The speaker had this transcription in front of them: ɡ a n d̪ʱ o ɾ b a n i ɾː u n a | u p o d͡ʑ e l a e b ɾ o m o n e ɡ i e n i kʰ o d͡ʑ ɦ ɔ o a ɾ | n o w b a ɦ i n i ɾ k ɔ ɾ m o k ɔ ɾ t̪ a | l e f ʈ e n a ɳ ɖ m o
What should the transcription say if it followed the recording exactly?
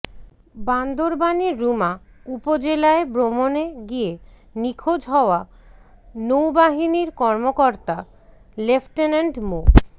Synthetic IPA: b a n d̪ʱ o ɾ b a n i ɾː u m a | u p o d͡ʑ e l a e b ɾ o m o n e ɡ i e n i kʰ o d͡ʑ ɦ ɔ o a | n o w b a ɦ i n i ɾ k ɔ ɾ m o k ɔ ɾ t̪ a | l e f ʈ e n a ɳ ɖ m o